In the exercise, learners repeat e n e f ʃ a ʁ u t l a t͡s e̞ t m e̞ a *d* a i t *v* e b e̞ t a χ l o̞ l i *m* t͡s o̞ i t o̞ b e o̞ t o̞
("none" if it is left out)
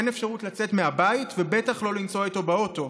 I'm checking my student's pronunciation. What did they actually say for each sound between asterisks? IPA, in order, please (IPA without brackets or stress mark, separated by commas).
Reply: b, v, n